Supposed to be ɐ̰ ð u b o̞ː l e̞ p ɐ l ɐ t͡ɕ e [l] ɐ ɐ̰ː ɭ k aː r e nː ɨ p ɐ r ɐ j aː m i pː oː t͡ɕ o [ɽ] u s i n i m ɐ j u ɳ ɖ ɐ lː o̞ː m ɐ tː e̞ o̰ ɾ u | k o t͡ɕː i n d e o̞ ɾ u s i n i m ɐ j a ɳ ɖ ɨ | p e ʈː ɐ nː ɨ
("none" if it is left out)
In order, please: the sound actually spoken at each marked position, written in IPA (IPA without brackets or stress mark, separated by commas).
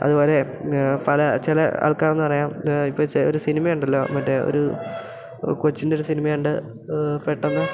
l, ɾ